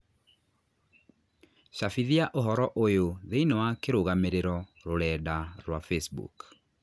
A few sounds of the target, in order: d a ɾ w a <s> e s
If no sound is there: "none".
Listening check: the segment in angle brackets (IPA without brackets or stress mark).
f